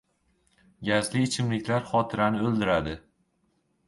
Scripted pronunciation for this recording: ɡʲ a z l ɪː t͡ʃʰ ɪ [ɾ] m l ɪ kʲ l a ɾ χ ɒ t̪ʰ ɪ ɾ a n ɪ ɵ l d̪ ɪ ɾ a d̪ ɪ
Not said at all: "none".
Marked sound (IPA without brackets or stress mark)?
none